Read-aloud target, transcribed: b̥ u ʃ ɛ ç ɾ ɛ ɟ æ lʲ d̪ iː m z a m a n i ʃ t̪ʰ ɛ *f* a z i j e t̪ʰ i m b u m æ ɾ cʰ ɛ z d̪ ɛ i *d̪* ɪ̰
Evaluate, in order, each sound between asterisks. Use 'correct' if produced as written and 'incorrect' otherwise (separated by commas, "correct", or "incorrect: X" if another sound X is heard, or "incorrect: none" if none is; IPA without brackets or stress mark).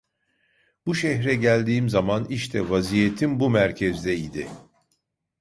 incorrect: v, correct